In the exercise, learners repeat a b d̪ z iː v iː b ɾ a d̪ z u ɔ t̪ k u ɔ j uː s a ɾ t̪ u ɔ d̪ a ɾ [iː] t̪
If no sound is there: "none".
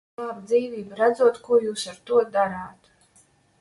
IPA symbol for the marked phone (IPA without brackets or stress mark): aː